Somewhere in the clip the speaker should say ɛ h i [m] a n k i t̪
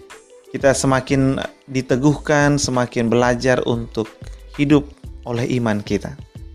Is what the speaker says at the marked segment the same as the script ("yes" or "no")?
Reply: yes